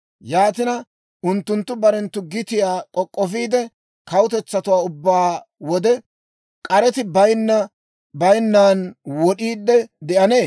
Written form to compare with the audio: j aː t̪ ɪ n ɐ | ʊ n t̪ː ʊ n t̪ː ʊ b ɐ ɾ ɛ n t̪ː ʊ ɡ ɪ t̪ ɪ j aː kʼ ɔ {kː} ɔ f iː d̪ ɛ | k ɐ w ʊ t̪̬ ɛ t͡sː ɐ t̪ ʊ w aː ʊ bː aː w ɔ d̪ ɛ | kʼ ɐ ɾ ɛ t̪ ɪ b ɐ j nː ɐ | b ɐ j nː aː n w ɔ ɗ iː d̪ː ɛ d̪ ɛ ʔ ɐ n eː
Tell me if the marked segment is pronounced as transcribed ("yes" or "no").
no